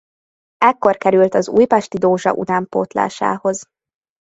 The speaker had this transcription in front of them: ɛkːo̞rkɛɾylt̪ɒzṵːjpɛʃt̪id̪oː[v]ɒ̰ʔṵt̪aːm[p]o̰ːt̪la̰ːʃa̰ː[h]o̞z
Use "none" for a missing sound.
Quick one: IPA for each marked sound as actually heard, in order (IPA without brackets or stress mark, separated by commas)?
ʒ, p, h